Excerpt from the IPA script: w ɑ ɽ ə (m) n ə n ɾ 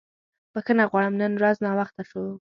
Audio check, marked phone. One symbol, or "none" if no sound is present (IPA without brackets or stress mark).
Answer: m